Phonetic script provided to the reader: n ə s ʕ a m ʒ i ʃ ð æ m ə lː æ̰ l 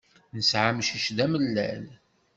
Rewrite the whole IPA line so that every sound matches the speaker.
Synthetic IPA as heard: n ə s ʕ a m ʃ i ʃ ð æ m ə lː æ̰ l